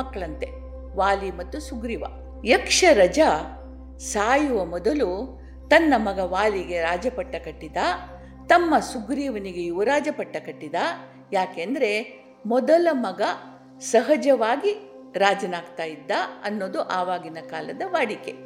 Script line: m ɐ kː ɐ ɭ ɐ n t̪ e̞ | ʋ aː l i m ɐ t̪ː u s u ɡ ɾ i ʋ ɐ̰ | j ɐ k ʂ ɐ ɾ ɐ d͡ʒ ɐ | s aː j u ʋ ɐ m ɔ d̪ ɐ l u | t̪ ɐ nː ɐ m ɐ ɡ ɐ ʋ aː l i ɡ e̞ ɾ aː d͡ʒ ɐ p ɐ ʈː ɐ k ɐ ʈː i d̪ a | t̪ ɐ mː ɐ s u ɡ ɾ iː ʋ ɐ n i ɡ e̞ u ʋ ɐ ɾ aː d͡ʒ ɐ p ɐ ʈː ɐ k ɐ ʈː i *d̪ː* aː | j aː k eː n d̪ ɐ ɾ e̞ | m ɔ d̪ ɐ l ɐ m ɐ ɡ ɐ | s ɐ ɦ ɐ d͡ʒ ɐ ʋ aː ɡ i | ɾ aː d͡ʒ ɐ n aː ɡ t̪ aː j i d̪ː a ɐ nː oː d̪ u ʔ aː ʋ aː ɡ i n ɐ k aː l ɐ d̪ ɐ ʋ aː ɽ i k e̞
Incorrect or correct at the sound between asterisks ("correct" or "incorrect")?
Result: incorrect